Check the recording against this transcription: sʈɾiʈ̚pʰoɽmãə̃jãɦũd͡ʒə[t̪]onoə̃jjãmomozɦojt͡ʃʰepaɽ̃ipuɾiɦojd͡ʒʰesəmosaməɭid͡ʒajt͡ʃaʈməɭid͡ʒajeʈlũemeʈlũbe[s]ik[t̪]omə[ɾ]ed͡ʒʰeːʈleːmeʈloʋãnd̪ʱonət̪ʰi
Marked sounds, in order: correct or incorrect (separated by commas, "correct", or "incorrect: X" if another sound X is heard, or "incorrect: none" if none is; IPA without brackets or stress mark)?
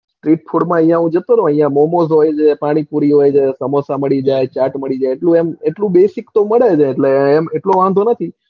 correct, correct, correct, incorrect: ɭ